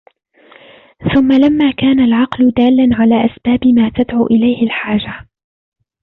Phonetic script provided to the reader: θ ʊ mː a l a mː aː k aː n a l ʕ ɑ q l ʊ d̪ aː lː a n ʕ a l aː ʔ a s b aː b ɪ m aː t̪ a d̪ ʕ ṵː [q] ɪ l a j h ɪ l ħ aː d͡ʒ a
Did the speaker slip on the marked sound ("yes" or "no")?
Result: yes